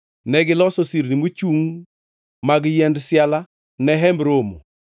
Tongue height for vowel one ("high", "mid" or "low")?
mid